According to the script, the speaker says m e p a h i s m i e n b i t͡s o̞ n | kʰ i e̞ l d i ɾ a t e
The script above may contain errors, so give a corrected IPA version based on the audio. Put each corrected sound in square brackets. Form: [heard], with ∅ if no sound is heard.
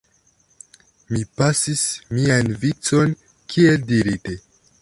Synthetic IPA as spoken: m [i] p a [s] i s m i [a] n [v] i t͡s o̞ n | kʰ i e̞ l d i ɾ [i] t e